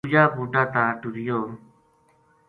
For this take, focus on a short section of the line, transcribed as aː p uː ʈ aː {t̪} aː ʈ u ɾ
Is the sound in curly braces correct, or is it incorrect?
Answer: correct